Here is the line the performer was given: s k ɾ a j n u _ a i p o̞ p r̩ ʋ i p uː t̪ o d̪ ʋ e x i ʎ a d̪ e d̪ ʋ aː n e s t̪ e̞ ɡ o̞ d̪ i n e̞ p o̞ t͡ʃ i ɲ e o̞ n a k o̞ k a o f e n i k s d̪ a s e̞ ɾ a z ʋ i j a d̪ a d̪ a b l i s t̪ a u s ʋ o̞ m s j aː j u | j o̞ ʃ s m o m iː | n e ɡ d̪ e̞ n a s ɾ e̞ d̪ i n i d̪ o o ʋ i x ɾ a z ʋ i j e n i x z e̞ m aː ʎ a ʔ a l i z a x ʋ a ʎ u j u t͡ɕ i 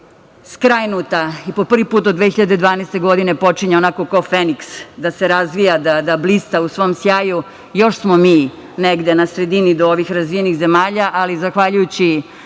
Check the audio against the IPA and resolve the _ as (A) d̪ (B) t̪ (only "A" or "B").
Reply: B